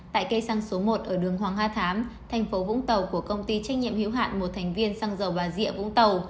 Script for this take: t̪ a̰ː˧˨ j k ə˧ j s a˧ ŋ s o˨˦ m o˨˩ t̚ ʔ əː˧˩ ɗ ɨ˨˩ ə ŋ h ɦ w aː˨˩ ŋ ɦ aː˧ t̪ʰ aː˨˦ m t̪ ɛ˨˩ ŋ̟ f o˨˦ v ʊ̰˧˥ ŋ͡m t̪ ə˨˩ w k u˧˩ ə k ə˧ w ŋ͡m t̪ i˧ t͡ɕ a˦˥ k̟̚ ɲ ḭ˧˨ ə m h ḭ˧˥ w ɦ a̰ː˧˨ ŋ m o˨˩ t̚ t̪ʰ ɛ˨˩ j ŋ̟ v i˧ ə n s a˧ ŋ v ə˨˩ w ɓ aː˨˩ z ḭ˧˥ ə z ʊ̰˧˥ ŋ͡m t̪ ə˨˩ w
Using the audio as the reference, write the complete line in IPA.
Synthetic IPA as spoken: t̪ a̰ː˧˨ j k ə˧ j s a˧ ŋ s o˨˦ m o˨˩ t̚ ʔ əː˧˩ ɗ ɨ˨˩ ə ŋ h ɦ w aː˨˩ ŋ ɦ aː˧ t̪ʰ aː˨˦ m t̪ʰ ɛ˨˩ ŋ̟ f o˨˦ v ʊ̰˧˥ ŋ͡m t̪ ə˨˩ w k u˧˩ ə k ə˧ w ŋ͡m t̪ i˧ t͡ɕ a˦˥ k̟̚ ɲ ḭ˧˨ ə m h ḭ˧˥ w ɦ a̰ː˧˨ n m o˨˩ t̚ t̪ʰ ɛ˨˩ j ŋ̟ v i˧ ə n s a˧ ŋ z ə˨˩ w ɓ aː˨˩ z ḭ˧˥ ə v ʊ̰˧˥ ŋ͡m t̪ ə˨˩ w

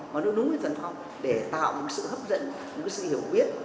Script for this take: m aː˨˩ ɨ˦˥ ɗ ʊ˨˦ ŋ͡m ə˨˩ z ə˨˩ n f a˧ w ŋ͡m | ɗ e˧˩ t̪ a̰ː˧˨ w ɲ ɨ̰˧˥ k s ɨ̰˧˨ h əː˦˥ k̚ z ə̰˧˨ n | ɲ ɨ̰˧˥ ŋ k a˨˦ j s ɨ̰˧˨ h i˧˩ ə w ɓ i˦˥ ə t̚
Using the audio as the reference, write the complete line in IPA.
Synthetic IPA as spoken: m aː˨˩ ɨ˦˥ ɗ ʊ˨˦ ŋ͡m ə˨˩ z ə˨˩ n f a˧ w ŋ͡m | ɗ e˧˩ t̪ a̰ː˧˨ w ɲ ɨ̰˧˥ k s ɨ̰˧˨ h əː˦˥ p̚ z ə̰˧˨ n | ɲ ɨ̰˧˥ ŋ k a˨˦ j s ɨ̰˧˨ h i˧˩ ə w ɓ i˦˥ ə t̚

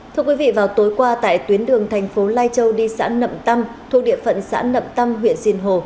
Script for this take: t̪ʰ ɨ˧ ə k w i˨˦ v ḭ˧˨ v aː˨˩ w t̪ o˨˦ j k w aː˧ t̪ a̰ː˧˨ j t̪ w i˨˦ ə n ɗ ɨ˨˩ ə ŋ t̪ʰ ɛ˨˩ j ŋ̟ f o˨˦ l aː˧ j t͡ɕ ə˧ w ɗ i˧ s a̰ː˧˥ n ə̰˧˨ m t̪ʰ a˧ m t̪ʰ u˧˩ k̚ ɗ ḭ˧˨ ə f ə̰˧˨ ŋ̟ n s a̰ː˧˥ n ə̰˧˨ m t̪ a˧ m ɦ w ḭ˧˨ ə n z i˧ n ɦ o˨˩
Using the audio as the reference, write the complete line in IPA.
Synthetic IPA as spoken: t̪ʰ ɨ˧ ə k w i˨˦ v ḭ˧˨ v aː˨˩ w t̪ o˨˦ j k w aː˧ t̪ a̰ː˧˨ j t̪ w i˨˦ ə n ɗ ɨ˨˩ ə ŋ t̪ʰ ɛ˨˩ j ŋ̟ f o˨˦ l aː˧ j t͡ɕ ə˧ w ɗ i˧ s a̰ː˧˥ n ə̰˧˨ m t̪ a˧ m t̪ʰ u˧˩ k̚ ɗ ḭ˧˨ ə f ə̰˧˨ n s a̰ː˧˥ n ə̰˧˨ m t̪ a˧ m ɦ w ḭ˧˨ ə n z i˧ n ɦ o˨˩

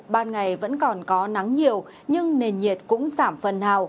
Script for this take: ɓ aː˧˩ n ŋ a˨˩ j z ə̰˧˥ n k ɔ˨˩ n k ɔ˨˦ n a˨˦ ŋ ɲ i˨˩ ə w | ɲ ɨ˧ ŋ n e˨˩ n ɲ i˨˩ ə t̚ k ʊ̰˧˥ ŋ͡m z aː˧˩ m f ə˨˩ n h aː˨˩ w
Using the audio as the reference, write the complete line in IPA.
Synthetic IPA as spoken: ɓ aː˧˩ n ŋ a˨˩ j v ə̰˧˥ n k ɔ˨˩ n k ɔ˨˦ n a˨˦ ŋ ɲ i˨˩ ə w | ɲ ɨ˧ ŋ n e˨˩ n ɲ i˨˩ ə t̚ k ʊ̰˧˥ ŋ͡m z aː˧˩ m f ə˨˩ n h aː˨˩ w

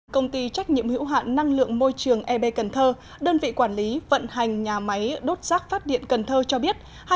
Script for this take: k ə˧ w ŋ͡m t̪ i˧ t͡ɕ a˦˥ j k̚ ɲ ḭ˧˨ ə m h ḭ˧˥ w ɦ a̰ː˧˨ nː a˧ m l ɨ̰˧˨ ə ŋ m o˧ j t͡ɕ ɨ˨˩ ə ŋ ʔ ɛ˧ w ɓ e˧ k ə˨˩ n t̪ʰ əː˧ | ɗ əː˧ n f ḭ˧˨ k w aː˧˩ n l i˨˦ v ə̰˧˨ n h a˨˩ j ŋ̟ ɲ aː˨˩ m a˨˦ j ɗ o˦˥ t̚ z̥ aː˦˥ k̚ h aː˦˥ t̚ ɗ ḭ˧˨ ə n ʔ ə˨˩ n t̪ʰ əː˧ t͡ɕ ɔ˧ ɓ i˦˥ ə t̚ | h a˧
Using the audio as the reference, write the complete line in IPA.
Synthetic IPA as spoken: k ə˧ w ŋ͡m t̪ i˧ t͡ɕ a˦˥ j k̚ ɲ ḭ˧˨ ə m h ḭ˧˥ w ɦ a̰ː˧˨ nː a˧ ŋ l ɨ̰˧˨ ə ŋ m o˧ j t͡ɕ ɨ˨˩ ə ŋ ʔ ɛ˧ ɓ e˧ k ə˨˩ n t̪ʰ əː˧ | ɗ əː˧ n v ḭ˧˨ k w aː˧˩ n l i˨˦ v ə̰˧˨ n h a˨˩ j ŋ̟ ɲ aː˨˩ m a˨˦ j ɗ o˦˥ t̚ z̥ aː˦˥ k̚ f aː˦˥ t̚ ɗ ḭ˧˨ ə n k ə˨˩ n t̪ʰ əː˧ t͡ɕ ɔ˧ ɓ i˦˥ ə t̚ | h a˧

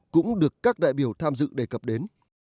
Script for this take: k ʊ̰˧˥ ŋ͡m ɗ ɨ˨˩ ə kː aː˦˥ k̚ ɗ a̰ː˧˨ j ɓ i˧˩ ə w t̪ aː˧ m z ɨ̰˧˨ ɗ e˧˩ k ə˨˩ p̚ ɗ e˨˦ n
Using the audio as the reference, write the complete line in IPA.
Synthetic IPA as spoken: k ʊ̰˧˥ ŋ͡m ɗ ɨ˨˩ ə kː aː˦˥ k̚ ɗ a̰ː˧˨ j ɓ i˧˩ ə w t̪ʰ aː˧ m z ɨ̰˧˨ ɗ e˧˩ k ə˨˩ p̚ ɗ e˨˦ n

